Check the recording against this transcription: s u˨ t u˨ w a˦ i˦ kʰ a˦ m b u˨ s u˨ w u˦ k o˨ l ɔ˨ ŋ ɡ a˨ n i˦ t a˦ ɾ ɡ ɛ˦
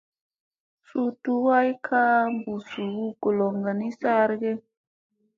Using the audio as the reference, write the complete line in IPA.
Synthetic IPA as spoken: s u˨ t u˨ w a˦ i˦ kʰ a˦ m b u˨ s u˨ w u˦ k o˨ l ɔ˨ ŋ ɡ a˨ n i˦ s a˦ ɾ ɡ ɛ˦